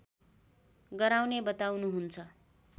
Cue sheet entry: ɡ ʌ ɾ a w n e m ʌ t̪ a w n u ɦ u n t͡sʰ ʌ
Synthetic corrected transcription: ɡ ʌ ɾ a w n e b ʌ t̪ a w n u ɦ u n t͡sʰ ʌ